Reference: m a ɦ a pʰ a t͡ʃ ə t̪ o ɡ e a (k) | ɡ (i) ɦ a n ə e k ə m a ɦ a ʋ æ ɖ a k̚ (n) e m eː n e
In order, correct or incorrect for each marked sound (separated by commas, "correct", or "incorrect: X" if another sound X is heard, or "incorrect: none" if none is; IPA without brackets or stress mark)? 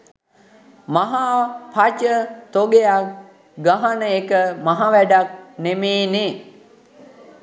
correct, incorrect: a, correct